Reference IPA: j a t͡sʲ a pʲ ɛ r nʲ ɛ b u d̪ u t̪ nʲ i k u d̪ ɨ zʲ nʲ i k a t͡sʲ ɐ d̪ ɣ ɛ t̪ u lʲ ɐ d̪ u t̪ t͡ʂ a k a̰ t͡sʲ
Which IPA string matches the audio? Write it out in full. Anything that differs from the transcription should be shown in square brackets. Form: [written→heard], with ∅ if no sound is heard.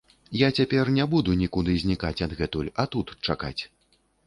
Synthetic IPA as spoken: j a t͡sʲ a pʲ ɛ r nʲ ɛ b u d̪ u [t̪→∅] nʲ i k u d̪ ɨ zʲ nʲ i k a t͡sʲ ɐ d̪ ɣ ɛ t̪ u lʲ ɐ [d̪→t̪] u t̪ t͡ʂ a k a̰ t͡sʲ